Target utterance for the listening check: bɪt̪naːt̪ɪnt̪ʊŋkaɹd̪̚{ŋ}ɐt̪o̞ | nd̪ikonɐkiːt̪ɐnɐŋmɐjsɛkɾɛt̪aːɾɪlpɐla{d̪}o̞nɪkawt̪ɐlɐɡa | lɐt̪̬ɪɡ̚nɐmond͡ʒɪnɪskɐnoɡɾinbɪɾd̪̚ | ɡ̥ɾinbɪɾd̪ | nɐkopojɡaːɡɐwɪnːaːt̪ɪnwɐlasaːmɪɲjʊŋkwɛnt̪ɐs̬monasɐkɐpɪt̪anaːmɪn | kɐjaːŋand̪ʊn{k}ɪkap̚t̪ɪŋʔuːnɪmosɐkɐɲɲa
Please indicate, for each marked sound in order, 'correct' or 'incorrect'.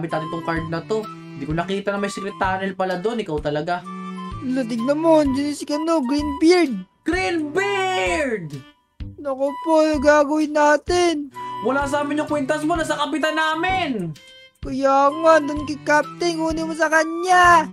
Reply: incorrect: n, correct, correct

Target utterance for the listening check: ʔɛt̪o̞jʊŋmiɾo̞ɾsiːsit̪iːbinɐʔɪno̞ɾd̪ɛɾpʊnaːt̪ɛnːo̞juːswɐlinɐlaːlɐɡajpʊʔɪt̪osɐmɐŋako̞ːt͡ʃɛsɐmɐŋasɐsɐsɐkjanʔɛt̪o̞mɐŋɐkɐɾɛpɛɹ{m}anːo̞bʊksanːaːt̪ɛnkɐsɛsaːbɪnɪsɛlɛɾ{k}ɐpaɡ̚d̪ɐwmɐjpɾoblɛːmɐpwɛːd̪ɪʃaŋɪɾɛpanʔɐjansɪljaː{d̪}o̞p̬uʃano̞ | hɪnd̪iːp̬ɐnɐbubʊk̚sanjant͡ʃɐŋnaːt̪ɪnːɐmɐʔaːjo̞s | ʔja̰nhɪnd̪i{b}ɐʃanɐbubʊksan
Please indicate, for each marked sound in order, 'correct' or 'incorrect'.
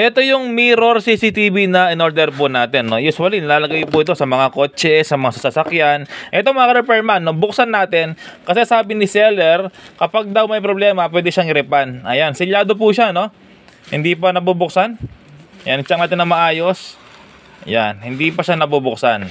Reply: correct, correct, correct, incorrect: p

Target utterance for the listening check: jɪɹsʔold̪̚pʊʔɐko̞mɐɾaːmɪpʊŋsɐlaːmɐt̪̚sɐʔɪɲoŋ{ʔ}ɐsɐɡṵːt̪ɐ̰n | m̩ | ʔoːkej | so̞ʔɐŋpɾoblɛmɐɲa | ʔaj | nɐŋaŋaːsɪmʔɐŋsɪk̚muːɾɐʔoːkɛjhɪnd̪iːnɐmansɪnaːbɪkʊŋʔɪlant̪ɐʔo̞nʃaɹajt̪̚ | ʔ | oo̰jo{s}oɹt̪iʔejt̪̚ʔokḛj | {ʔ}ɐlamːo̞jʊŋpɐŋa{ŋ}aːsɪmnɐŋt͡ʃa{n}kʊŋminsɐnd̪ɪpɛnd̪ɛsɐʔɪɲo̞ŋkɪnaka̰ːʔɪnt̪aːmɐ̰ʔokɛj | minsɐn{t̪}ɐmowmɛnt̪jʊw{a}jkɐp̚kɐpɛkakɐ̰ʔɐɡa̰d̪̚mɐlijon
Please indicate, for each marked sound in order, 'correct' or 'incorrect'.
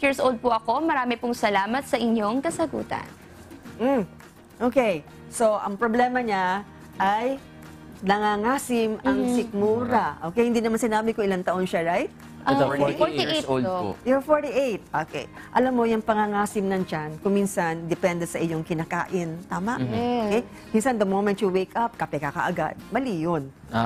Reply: incorrect: k, incorrect: f, correct, correct, correct, incorrect: d̪, incorrect: e

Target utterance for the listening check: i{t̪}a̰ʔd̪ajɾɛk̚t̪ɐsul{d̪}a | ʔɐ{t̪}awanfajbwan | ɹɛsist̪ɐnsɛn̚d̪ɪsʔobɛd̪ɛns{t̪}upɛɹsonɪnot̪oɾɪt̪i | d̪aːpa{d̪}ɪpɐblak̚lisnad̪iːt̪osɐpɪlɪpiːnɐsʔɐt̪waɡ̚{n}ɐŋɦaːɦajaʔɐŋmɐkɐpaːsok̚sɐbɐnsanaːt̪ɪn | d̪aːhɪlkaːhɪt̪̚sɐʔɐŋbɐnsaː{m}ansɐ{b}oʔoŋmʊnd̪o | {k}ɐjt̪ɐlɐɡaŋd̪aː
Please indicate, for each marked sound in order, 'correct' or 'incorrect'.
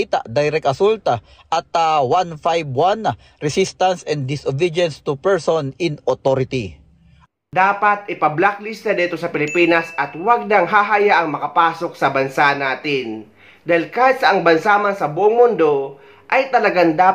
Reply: correct, incorrect: t̪, correct, correct, incorrect: t̪, correct, correct, correct, incorrect: ʔ

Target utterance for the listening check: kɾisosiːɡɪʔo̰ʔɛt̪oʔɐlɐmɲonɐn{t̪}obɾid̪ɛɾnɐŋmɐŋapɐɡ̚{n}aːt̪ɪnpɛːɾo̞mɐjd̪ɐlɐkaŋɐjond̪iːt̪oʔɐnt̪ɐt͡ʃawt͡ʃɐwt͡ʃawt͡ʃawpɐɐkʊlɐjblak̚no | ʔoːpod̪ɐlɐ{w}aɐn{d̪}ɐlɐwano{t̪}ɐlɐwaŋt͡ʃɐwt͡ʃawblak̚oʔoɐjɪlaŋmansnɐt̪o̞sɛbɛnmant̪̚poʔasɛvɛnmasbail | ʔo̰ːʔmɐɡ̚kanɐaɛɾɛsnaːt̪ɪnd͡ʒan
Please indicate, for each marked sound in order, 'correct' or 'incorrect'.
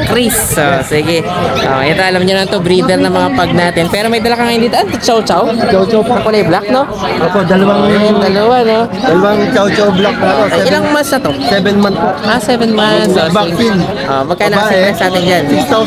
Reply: correct, correct, correct, correct, incorrect: d̪

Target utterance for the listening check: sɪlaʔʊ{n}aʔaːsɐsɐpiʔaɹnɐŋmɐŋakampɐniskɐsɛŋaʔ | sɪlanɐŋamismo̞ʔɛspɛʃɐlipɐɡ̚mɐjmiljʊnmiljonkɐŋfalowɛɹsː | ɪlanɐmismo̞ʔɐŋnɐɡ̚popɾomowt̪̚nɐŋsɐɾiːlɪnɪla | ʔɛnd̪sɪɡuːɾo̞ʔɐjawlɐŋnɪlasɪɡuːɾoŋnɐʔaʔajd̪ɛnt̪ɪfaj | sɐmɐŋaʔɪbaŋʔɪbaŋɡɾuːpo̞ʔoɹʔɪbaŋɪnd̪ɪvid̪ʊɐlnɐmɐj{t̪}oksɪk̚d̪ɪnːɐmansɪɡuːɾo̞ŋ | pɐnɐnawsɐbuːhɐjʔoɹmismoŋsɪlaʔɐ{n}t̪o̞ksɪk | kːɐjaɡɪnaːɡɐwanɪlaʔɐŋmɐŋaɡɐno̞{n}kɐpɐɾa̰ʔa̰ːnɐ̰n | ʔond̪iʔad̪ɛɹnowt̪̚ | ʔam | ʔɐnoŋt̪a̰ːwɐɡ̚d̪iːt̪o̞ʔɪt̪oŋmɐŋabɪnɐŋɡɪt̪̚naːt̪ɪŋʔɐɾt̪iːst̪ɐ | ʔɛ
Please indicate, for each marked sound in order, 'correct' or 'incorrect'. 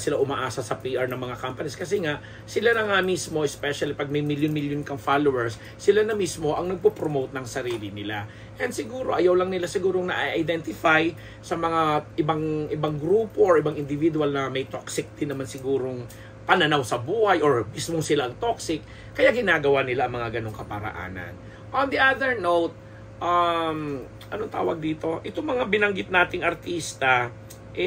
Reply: incorrect: m, correct, incorrect: ŋ, incorrect: ŋ

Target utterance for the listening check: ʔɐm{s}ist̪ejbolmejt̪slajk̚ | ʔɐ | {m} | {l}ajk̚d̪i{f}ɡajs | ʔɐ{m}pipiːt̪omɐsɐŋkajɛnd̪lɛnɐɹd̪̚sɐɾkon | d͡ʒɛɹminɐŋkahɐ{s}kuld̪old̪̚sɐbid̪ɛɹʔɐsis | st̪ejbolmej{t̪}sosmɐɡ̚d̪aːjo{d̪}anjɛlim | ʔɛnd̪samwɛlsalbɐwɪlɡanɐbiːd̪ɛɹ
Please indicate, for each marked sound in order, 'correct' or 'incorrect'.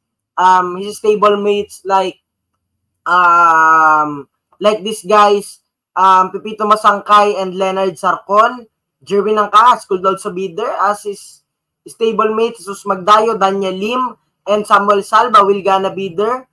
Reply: incorrect: h, correct, correct, incorrect: s, correct, correct, correct, correct

